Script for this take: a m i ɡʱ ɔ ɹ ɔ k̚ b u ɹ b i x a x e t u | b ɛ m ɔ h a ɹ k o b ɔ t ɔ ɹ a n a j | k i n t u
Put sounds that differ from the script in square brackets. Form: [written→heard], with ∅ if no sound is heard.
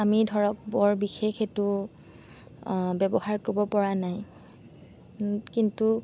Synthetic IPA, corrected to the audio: a m i [ɡʱ→dʱ] ɔ ɹ ɔ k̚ b [u→ɔ] ɹ b i x [a→e] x e t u | b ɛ [m→b] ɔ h a ɹ k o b ɔ [t→p] ɔ ɹ a n a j | k i n t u